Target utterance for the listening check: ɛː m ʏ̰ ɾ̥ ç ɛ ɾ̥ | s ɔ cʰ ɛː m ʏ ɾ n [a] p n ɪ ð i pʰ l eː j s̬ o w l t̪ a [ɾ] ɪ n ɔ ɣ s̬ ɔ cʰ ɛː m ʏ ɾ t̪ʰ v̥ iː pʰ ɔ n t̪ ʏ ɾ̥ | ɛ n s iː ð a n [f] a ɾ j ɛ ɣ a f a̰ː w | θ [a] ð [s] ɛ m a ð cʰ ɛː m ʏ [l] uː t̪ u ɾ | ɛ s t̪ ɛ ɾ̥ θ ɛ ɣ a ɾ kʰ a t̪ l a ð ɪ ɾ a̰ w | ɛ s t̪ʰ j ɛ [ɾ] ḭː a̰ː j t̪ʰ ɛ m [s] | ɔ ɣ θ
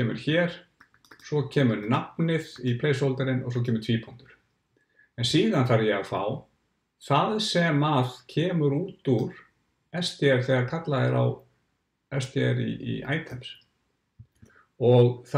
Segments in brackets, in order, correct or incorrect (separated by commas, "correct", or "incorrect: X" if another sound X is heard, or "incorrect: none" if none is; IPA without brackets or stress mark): correct, correct, incorrect: θ, correct, correct, incorrect: ɾ, correct, correct